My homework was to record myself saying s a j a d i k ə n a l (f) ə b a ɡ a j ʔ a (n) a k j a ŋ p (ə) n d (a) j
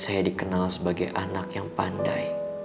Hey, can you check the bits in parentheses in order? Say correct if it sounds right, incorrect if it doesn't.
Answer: incorrect, correct, incorrect, correct

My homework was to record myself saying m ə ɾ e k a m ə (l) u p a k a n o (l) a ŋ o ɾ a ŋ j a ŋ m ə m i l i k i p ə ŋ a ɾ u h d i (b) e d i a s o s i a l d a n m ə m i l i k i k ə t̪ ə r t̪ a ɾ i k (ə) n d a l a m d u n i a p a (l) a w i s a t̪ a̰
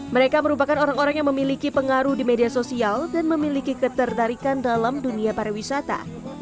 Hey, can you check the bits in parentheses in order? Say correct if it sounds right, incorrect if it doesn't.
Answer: incorrect, incorrect, incorrect, incorrect, incorrect

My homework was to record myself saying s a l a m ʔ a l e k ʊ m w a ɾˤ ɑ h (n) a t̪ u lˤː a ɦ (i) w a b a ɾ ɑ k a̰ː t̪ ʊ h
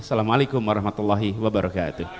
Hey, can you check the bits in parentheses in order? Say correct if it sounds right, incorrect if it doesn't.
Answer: incorrect, correct

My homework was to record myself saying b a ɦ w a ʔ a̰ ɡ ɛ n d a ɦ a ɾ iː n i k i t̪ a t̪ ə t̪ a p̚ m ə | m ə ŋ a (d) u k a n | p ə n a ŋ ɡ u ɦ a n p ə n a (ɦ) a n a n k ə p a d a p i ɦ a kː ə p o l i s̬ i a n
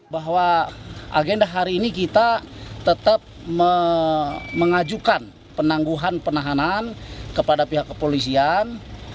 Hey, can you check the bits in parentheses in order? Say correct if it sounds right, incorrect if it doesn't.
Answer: incorrect, correct

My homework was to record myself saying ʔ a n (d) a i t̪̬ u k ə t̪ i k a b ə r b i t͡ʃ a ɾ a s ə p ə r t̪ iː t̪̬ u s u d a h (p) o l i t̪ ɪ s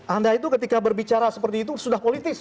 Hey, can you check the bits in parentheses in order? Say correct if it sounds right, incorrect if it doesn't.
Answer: correct, correct

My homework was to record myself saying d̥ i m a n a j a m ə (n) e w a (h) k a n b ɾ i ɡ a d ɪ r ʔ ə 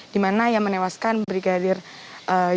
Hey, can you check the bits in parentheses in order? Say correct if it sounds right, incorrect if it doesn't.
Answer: correct, incorrect

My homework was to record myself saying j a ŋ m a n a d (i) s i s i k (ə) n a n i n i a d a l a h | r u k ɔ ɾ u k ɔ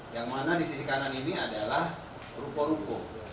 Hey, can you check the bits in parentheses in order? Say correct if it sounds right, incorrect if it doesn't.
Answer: correct, incorrect

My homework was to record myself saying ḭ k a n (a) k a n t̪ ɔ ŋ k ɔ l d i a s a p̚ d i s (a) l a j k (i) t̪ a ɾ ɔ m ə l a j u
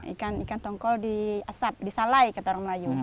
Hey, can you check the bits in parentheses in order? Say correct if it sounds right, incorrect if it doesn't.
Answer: incorrect, correct, incorrect

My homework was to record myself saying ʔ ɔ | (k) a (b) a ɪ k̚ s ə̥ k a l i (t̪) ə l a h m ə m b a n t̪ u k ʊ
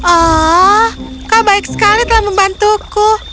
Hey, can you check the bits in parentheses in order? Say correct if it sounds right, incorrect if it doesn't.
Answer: correct, correct, correct

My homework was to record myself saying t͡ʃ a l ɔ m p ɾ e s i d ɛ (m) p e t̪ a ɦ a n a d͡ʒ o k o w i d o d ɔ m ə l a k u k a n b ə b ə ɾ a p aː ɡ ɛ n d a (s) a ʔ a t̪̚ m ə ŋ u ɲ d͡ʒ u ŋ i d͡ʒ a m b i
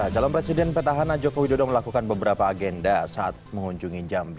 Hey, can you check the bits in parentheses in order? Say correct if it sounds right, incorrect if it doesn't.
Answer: incorrect, correct

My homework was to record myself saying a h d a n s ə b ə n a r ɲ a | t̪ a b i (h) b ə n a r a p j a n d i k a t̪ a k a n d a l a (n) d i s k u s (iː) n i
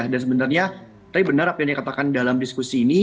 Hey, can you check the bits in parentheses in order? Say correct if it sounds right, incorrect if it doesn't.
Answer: incorrect, incorrect, correct

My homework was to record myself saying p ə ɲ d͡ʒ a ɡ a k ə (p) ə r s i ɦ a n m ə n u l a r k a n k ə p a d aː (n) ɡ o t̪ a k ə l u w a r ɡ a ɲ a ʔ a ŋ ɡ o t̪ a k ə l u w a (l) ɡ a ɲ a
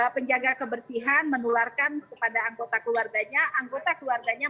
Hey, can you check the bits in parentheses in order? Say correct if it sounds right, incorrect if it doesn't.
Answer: incorrect, incorrect, incorrect

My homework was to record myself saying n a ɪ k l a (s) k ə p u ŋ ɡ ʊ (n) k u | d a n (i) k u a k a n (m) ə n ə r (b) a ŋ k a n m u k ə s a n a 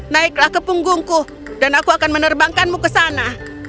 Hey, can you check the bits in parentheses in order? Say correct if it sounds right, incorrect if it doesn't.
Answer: incorrect, incorrect, incorrect, correct, correct

